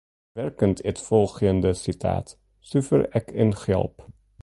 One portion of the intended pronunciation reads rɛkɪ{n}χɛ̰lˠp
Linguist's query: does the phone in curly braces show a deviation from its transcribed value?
no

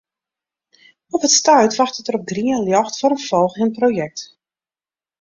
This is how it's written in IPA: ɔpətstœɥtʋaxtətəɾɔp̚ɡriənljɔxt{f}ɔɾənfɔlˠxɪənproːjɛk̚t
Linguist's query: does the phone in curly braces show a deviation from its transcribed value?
no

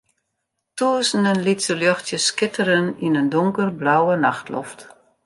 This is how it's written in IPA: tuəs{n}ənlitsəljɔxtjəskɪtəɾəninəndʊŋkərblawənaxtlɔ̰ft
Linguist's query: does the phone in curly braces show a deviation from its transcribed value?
no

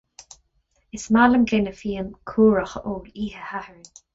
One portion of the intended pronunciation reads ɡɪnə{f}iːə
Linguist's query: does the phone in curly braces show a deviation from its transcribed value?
no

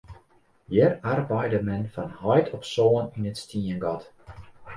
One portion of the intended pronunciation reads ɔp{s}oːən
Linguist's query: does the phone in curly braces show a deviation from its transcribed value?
no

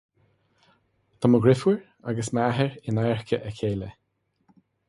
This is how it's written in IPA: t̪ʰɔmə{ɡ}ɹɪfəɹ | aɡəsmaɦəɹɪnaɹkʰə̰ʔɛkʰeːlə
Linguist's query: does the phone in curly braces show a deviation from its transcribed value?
no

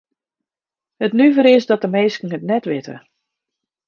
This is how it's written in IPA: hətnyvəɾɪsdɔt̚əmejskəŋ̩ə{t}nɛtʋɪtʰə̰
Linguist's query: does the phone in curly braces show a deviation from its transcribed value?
no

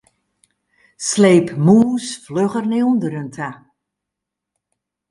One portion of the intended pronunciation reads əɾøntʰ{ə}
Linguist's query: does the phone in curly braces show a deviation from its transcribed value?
yes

